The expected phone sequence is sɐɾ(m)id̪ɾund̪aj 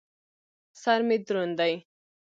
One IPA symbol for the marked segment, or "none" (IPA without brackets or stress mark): m